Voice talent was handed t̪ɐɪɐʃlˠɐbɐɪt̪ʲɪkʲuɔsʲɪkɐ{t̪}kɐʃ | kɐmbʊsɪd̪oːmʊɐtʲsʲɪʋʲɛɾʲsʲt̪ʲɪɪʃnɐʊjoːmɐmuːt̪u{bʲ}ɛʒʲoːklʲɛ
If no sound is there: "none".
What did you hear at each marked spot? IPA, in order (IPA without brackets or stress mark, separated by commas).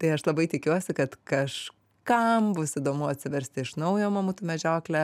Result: t̪, mʲ